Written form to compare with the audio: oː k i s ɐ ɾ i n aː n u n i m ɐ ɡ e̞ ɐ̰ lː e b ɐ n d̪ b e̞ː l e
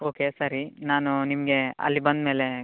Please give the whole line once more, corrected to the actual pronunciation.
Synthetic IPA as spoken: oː k e s ɐ ɾ i n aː n u n i m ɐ ɡ e̞ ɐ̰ lː i b ɐ n d̪ m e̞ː l e